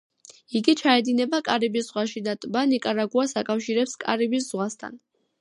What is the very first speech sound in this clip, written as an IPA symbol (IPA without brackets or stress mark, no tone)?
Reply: i